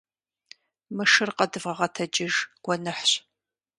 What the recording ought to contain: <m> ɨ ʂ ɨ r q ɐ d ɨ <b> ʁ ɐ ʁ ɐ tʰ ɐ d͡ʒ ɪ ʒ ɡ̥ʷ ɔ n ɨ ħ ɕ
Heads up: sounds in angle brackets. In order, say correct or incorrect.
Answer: correct, incorrect: v

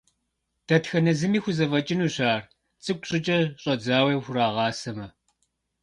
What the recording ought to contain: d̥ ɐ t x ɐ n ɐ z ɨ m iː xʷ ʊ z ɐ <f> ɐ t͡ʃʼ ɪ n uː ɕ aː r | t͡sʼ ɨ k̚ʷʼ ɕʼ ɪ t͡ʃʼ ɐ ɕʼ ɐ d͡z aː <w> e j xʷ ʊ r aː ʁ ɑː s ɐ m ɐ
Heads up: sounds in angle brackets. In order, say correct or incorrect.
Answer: incorrect: v, correct

